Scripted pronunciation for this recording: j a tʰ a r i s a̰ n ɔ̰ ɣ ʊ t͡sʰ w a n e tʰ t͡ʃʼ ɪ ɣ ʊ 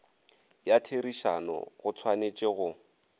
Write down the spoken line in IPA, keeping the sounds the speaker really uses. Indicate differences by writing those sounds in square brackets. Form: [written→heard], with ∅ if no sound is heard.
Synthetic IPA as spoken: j a tʰ [a→e] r i [s→ʃ] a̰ n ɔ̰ ɣ ʊ t͡sʰ w a n e [tʰ→∅] t͡ʃʼ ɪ ɣ ʊ